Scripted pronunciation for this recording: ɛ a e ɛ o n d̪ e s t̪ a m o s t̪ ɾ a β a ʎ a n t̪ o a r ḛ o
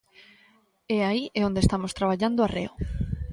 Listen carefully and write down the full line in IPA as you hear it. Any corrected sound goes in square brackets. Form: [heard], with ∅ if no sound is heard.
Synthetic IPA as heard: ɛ a [i] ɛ o n d̪ e s t̪ a m o s t̪ ɾ a β a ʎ a n [d̪] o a r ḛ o